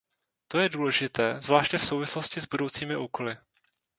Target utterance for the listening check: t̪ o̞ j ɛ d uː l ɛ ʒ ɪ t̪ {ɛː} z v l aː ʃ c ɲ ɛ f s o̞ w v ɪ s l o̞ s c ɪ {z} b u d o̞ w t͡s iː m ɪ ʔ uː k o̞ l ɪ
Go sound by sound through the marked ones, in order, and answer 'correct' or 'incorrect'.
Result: correct, correct

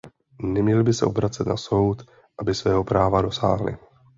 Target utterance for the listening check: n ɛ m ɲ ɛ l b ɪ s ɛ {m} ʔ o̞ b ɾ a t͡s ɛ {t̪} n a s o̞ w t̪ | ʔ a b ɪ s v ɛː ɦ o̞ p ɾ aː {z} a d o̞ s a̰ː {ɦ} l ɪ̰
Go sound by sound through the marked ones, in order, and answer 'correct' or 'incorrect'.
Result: incorrect: none, correct, incorrect: v, correct

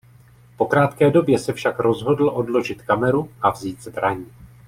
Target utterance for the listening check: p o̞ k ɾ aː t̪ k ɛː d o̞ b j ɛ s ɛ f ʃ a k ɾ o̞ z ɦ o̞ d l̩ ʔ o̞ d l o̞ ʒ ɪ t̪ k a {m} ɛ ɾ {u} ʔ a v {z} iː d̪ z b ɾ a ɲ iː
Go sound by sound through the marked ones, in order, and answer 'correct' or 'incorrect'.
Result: correct, correct, correct

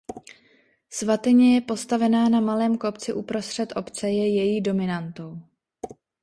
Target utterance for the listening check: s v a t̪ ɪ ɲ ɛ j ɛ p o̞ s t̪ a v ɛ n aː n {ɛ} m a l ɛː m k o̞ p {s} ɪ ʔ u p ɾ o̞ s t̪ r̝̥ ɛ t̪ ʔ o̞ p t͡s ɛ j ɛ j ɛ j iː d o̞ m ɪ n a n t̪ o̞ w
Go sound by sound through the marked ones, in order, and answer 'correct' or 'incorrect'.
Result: incorrect: a, incorrect: t͡s

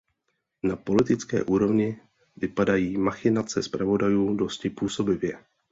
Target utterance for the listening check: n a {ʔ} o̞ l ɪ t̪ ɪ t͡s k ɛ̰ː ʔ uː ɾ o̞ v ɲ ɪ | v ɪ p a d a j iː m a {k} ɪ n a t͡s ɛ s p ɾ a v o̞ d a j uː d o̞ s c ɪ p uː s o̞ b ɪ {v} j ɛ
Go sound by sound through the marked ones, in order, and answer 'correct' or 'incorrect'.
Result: incorrect: p, incorrect: x, correct

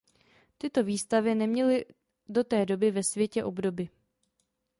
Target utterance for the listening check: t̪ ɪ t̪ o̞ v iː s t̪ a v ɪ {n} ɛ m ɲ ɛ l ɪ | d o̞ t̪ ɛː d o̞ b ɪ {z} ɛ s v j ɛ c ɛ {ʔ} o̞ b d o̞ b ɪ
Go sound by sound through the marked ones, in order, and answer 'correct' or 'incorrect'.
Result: correct, incorrect: v, correct

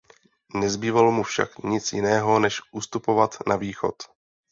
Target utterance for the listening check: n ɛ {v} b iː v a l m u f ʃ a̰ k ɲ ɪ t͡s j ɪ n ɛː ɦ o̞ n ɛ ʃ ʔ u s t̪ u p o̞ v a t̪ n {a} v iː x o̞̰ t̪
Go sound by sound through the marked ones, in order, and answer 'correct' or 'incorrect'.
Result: incorrect: z, correct

